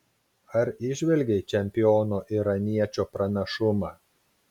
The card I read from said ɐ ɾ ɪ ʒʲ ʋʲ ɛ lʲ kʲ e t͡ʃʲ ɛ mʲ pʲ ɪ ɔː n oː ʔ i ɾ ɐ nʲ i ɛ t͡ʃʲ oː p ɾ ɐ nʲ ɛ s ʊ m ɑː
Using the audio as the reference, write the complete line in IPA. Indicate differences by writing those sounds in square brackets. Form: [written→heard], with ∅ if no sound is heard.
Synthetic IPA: ɐ ɾ ɪ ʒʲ ʋʲ ɛ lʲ [kʲ→ɡʲ] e t͡ʃʲ ɛ mʲ pʲ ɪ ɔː n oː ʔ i ɾ ɐ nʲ i ɛ t͡ʃʲ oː p ɾ ɐ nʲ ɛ [s→ʃ] ʊ m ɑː